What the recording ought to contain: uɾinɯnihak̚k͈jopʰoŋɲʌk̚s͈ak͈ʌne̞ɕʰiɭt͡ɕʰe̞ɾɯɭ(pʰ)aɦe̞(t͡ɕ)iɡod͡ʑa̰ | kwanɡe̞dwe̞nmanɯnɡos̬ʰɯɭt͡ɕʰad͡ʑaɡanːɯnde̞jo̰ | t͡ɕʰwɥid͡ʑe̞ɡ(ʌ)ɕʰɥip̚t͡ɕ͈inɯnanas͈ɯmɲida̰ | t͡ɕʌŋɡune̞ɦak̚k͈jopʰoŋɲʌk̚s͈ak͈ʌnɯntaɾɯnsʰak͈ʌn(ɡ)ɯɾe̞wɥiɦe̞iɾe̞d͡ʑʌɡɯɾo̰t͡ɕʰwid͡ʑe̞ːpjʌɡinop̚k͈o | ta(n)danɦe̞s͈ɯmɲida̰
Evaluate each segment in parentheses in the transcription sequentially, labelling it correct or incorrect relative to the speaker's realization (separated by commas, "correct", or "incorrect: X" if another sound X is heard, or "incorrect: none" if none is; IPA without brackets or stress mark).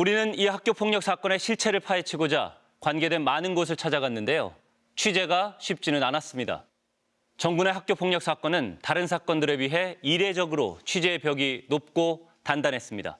correct, incorrect: t͡ɕʰ, incorrect: a, incorrect: d, correct